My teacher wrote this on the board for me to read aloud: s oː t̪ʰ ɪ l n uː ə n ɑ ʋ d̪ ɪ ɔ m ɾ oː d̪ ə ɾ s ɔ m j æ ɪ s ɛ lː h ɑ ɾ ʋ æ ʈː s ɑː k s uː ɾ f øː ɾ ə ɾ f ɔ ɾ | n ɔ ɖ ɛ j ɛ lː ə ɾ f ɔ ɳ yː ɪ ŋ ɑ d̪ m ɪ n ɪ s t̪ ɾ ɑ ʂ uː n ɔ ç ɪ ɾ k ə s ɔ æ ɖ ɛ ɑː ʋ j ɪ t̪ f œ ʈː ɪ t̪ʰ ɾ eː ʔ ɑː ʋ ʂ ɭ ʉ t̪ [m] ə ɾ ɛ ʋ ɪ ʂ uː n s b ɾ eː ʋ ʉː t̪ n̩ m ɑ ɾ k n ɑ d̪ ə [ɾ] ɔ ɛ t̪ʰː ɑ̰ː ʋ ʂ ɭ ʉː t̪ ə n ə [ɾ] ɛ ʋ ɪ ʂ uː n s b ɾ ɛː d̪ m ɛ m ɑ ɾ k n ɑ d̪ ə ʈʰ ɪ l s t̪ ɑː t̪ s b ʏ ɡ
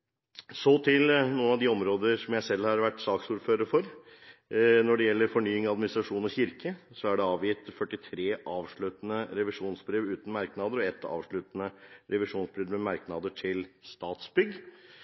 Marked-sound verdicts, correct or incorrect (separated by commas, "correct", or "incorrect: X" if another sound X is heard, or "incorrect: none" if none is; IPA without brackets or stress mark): incorrect: n, correct, correct